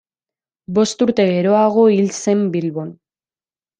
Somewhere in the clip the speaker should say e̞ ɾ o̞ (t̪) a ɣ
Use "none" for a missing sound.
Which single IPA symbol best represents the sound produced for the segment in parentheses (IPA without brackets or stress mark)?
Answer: none